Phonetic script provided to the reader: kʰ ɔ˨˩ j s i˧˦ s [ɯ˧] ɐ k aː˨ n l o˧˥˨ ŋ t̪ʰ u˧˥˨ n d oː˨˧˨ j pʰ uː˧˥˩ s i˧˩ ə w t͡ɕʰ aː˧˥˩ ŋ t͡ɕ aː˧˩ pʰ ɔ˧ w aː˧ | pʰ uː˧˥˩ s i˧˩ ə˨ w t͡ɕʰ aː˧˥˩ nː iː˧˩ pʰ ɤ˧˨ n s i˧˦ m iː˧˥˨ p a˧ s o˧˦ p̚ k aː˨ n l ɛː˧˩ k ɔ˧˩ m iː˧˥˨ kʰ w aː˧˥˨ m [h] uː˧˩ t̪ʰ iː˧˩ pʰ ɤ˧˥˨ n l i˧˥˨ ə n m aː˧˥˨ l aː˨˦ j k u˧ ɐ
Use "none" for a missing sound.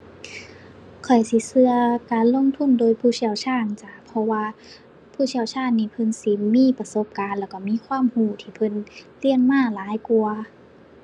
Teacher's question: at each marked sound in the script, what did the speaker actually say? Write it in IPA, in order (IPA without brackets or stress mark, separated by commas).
ɯ˧, h